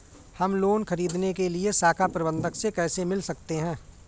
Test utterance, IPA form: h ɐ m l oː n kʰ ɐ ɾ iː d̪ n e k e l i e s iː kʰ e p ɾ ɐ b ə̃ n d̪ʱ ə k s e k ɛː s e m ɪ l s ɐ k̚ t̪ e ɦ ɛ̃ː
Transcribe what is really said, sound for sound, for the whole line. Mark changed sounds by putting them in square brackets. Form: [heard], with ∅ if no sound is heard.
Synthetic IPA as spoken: h ɐ m l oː n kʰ ɐ ɾ iː d̪ n e k e l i e s [aː] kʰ [a] p ɾ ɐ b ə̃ n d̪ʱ ə k s e k ɛː s e m ɪ l s ɐ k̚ t̪ e ɦ ɛ̃ː